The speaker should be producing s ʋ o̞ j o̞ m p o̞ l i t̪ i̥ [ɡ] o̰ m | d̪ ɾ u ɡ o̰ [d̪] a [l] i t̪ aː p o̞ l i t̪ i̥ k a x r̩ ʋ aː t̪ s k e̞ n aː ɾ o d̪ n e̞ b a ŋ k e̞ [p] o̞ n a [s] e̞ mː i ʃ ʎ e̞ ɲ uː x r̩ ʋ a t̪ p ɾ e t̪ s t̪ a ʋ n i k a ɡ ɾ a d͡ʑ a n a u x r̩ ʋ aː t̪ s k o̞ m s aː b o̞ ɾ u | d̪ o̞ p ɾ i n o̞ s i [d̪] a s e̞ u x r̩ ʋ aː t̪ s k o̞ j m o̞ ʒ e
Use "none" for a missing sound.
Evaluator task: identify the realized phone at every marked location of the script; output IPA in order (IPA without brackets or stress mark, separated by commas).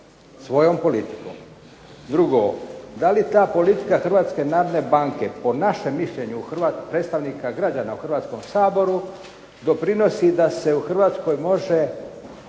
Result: k, d̪, l, p, ʃ, d̪